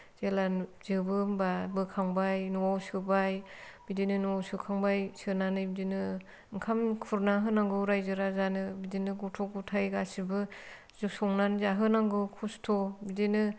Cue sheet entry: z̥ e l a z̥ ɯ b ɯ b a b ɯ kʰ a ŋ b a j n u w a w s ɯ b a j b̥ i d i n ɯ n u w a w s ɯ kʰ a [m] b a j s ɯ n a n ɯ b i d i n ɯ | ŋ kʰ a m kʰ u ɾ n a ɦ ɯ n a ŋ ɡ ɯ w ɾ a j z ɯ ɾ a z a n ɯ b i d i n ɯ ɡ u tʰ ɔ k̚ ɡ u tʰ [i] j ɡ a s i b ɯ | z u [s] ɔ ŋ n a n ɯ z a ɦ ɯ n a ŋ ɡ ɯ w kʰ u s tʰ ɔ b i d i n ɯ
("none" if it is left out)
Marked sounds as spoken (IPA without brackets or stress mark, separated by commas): ŋ, a, s